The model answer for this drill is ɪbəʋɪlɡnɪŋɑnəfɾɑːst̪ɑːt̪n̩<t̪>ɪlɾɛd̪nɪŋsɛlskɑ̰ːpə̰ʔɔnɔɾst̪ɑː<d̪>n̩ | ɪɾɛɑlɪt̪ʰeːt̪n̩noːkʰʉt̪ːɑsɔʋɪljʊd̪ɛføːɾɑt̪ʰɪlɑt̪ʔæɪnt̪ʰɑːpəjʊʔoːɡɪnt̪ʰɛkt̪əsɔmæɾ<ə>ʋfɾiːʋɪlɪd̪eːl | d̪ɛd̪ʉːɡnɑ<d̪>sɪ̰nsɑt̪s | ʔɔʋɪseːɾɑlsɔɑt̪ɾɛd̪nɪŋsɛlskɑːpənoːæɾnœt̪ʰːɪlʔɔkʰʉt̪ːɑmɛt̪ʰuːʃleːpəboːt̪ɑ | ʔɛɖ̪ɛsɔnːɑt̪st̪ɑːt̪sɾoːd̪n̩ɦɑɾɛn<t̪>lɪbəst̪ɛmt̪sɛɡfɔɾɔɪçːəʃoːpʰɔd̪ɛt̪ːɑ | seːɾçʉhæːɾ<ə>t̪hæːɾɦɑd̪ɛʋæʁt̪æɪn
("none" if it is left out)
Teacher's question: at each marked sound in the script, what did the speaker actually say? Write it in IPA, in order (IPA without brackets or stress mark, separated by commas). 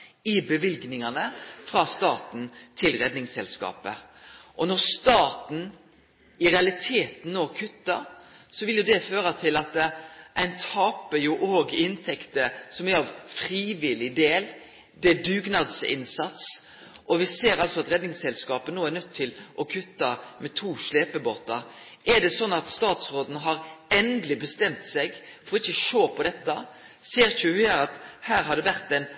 t̪ʰ, t̪, ɑ, d̪, d̪, ɑ